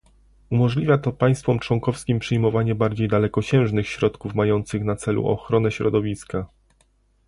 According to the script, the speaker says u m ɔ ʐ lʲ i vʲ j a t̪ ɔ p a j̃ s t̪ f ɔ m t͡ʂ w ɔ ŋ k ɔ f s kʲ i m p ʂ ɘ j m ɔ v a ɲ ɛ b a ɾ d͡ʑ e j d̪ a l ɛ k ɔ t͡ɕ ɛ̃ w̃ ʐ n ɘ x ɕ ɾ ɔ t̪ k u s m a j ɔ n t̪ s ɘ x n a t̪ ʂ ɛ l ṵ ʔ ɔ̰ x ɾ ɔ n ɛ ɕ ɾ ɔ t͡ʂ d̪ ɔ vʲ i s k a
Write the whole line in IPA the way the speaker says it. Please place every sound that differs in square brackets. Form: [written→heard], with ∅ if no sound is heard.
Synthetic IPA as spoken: u m ɔ ʐ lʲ i vʲ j a t̪ ɔ p a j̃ s t̪ f ɔ m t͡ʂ w ɔ ŋ k ɔ f s kʲ i m p ʂ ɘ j m ɔ v a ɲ ɛ b a ɾ d͡ʑ e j d̪ a l ɛ k ɔ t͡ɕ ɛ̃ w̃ ʐ n ɘ x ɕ ɾ ɔ t̪ k u [s→f] m a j ɔ n t̪ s ɘ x n a t̪ [ʂ→s] ɛ l ṵ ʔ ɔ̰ x ɾ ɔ n ɛ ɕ ɾ ɔ [t͡ʂ→∅] d̪ ɔ vʲ i s k a